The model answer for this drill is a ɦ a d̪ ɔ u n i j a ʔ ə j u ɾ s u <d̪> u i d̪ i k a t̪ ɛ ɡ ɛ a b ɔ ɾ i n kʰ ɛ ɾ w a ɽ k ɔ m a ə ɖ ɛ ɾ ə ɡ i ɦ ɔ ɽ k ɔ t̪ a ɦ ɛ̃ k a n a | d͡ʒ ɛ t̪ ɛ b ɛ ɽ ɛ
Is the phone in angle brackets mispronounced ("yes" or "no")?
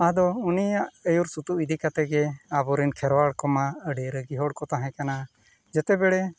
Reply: yes